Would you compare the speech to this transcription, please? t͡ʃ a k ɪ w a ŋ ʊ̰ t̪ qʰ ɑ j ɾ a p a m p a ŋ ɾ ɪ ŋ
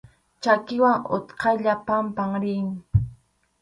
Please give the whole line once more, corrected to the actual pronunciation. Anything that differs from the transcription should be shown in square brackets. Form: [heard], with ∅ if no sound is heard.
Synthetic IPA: t͡ʃ a k ɪ w a ŋ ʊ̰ t̪ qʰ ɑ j [ʎ] a p a m p a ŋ ɾ ɪ ŋ

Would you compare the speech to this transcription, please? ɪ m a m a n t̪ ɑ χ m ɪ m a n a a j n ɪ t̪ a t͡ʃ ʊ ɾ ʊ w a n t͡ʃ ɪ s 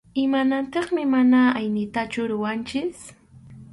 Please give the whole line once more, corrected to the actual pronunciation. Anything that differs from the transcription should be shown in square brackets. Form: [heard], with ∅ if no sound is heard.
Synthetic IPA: ɪ m a [n] a n t̪ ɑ χ m ɪ m a n a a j n ɪ t̪ a t͡ʃ ʊ ɾ ʊ w a n t͡ʃ ɪ s

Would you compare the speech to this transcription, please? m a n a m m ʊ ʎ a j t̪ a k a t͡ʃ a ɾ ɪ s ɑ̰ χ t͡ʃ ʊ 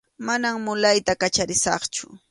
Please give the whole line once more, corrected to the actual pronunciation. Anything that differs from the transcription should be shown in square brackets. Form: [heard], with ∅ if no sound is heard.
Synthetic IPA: m a n a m m ʊ [l] a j t̪ a k a t͡ʃ a ɾ ɪ s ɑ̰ χ t͡ʃ ʊ

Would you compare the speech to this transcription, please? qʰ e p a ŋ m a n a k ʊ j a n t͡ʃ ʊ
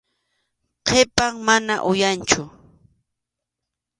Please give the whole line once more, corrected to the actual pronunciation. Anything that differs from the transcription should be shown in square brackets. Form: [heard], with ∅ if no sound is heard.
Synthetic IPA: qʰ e p a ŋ m a n a [ʔ] ʊ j a n t͡ʃ ʊ

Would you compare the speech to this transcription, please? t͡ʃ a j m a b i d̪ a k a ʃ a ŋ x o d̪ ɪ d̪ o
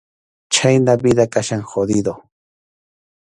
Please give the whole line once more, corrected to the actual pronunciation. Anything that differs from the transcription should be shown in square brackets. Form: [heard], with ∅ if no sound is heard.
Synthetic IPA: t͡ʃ a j [n] a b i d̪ a k a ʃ a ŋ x o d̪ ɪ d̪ o

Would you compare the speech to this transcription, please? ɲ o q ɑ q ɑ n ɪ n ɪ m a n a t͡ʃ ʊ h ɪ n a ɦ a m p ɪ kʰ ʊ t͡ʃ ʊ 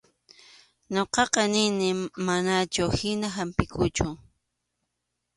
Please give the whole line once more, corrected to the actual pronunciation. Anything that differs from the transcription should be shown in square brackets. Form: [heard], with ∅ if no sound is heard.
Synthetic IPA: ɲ o q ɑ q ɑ n ɪ n ɪ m a n a t͡ʃ ʊ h ɪ n a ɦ a m p ɪ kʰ ʊ t͡ʃ ʊ

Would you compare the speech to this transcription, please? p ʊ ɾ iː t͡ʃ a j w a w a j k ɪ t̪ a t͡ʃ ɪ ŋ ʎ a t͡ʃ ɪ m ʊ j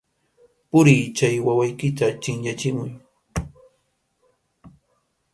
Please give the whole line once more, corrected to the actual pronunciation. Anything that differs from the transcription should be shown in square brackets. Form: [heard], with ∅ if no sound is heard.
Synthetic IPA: p ʊ ɾ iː t͡ʃ a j w a w a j k ɪ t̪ a t͡ʃ ɪ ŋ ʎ a t͡ʃ ɪ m ʊ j

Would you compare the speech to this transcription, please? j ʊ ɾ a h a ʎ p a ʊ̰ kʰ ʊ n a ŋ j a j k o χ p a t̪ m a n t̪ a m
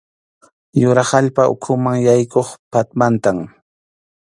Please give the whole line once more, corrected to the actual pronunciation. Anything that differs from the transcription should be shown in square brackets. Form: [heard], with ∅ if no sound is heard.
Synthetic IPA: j ʊ ɾ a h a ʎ p a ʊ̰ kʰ ʊ [m] a ŋ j a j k o χ p a t̪ m a n t̪ a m

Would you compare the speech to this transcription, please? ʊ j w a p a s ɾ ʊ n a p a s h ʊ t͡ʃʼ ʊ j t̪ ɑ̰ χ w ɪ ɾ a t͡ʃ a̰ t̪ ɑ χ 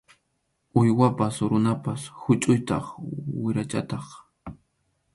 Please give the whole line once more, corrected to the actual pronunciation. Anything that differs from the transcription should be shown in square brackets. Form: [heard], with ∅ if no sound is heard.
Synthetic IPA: ʊ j w a p a s ɾ ʊ n a p a s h ʊ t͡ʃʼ ʊ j t̪ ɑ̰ χ w ɪ ɾ a t͡ʃ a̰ t̪ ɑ χ

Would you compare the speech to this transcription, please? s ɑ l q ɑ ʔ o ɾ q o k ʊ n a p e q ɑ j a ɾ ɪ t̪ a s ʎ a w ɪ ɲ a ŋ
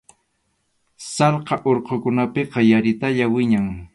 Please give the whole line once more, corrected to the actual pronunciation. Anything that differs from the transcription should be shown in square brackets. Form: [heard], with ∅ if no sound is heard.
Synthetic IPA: s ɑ l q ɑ ʔ o ɾ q o k ʊ n a p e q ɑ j a ɾ ɪ t̪ a [∅] ʎ a w ɪ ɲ a ŋ

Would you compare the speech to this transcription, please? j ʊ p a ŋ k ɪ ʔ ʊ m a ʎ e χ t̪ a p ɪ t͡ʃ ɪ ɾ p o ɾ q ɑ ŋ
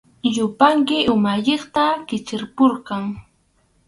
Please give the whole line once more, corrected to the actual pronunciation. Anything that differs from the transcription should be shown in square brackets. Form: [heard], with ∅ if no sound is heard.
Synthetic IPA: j ʊ p a ŋ k ɪ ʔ ʊ m a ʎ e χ t̪ a [k] ɪ t͡ʃ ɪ ɾ p o ɾ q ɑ ŋ

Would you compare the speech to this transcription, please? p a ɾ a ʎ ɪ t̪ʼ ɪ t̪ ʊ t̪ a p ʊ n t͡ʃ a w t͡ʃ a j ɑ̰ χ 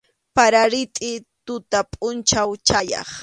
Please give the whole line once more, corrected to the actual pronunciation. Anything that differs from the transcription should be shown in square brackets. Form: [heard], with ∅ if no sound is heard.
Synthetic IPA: p a ɾ a [ɾ] ɪ t̪ʼ ɪ t̪ ʊ t̪ a [pʼ] ʊ n t͡ʃ a w t͡ʃ a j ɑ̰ χ

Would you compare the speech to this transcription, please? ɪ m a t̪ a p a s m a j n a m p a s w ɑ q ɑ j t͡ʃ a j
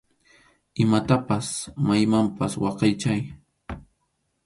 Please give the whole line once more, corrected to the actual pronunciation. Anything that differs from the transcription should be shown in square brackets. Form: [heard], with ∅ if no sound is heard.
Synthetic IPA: ɪ m a t̪ a p a s m a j [m] a m p a s w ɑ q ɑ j t͡ʃ a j

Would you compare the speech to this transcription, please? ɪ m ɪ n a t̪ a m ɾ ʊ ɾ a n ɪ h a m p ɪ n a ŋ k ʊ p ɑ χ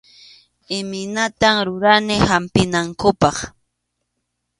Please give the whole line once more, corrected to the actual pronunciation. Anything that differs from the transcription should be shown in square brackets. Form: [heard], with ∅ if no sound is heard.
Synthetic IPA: ɪ m ɪ n a t̪ a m ɾ ʊ ɾ a n ɪ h a m p ɪ n a ŋ k ʊ p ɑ χ

